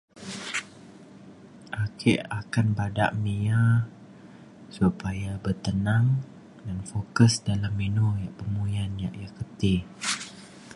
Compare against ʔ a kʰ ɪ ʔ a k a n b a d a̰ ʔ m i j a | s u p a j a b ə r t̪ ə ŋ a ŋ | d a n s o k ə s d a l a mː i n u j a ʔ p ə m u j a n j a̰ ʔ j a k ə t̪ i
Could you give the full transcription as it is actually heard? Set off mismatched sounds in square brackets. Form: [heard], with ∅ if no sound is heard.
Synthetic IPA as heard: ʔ a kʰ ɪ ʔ a k a n b a d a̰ ʔ m i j a | s u p a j a b ə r t̪ ə [n] a ŋ | d a n [f] o k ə s d a l a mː i n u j a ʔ p ə m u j a n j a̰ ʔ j a k ə t̪ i